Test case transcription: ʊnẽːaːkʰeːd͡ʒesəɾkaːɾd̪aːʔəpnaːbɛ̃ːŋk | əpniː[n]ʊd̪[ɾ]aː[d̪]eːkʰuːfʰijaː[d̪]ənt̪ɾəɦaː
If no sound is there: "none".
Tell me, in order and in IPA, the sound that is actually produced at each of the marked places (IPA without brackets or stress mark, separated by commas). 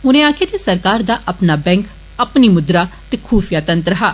m, ɾ, t̪, t̪